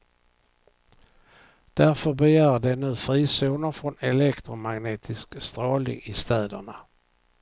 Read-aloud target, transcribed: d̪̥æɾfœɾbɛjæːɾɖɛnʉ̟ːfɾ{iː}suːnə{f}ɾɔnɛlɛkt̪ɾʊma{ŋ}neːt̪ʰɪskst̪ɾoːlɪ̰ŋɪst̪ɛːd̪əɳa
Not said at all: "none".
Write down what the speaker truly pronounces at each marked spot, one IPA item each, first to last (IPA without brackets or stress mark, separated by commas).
iː, f, ɡ